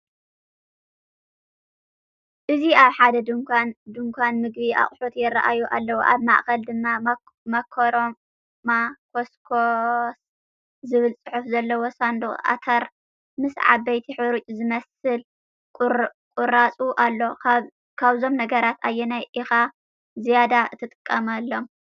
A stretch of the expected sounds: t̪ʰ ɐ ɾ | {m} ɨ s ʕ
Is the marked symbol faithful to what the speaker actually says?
yes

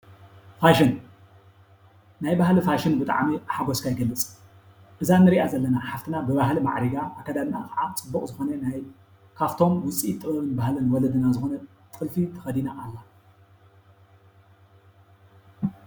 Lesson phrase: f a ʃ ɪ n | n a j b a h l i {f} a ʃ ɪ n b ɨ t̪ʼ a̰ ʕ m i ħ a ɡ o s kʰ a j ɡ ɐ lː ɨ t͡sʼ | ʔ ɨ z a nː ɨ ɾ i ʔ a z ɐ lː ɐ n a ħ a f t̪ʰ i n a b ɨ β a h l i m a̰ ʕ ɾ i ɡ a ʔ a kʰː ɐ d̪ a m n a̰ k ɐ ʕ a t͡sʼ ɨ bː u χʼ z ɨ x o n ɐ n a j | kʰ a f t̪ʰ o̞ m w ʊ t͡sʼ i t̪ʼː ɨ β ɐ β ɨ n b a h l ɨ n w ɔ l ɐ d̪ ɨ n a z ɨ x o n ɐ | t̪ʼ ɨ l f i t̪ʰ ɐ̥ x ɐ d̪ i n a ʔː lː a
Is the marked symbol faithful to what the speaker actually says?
yes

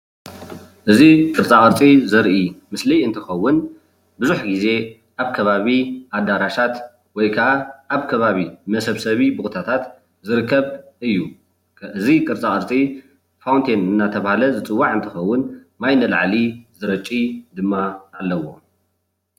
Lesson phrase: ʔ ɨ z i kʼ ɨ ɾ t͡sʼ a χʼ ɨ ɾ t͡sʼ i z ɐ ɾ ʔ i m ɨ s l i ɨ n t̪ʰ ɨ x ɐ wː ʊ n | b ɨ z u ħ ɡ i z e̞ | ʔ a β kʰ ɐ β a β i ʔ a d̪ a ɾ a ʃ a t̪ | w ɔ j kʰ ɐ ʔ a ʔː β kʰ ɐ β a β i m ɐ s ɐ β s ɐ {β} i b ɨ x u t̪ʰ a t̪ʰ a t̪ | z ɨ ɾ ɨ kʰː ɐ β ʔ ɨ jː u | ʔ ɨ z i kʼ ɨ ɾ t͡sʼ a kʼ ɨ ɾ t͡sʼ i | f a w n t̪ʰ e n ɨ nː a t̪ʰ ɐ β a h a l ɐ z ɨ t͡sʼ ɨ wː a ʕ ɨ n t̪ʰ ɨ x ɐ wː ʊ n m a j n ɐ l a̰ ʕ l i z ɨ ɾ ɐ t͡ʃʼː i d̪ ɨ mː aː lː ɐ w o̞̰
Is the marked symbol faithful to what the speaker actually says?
yes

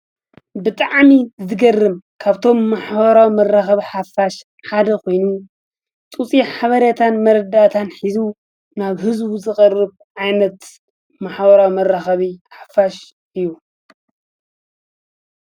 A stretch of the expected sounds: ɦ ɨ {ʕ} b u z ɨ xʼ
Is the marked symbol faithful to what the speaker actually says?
no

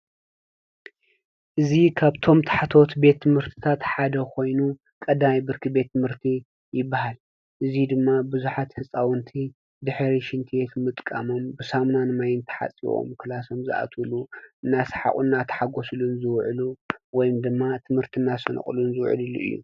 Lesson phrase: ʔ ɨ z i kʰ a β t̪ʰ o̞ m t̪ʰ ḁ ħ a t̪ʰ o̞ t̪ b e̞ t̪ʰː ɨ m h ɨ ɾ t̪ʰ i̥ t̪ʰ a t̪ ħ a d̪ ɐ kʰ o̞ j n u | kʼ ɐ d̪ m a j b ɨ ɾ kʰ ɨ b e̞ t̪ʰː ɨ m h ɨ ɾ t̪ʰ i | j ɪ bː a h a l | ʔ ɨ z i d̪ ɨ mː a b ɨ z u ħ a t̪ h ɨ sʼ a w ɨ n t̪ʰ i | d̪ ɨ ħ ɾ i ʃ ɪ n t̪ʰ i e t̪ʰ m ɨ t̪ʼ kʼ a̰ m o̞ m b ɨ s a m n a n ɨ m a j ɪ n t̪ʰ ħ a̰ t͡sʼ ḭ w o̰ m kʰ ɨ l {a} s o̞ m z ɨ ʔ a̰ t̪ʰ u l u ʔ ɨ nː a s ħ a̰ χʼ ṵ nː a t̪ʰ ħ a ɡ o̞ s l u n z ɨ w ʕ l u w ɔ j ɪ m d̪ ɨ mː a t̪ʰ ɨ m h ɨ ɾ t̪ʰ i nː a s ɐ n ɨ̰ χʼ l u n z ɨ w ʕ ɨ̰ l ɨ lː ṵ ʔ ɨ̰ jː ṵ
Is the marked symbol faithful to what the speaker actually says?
yes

